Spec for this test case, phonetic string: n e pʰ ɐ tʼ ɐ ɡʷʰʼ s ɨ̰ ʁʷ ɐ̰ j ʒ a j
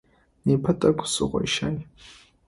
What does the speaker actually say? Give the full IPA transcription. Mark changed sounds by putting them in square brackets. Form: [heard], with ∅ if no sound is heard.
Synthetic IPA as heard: n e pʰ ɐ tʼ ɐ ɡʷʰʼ s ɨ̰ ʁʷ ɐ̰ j [ʃ] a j